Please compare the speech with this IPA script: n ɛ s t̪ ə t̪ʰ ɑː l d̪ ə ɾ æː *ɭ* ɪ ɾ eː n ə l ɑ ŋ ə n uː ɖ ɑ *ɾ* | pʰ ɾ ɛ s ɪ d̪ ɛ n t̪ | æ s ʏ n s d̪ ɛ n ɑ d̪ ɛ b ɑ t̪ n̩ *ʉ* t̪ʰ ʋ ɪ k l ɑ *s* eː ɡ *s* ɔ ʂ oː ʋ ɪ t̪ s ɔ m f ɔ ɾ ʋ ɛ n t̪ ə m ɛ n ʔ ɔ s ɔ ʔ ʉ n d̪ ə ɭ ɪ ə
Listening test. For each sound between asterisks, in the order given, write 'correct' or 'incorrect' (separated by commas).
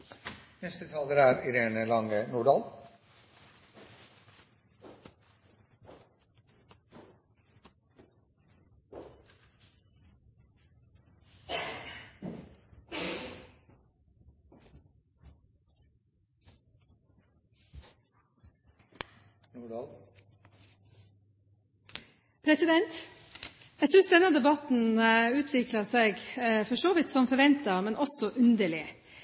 incorrect, incorrect, incorrect, correct, incorrect